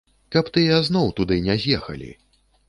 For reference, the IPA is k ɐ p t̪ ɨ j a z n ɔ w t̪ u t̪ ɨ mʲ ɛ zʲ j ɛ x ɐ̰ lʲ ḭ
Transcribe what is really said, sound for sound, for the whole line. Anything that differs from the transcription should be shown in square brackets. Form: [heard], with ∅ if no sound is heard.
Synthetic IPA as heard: k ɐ p t̪ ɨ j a z n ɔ w t̪ u [d̪] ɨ [nʲ] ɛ zʲ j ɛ x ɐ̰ lʲ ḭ